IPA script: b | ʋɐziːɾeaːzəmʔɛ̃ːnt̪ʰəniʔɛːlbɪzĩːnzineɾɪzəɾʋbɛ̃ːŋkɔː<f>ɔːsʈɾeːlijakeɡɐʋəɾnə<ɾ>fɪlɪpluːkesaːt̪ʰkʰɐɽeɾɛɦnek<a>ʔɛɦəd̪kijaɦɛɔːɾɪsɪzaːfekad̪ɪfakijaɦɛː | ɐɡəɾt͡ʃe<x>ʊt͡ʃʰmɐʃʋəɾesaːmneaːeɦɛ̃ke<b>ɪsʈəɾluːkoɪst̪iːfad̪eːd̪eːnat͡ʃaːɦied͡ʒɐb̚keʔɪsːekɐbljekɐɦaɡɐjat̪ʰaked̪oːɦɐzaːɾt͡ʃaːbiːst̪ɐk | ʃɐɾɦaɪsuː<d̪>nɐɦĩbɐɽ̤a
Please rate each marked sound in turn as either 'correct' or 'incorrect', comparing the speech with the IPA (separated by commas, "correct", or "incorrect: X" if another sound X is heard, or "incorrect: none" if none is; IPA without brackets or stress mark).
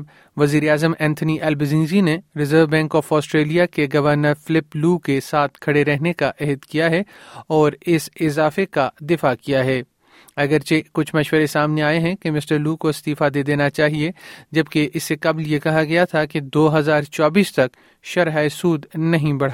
correct, correct, correct, incorrect: k, incorrect: m, correct